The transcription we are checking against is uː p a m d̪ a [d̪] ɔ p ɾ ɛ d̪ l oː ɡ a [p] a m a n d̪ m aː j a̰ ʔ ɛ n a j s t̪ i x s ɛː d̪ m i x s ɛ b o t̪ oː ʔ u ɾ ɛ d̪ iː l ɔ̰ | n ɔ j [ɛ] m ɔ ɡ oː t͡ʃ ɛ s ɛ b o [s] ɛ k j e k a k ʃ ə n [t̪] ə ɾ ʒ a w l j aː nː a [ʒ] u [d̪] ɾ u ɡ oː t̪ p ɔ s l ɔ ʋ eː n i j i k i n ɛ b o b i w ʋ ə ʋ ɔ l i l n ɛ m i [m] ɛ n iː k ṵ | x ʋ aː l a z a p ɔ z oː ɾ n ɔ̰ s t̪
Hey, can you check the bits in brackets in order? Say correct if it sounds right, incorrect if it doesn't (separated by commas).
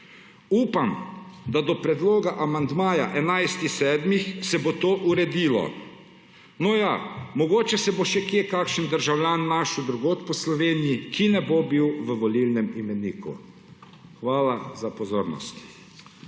correct, incorrect, incorrect, incorrect, incorrect, incorrect, correct, correct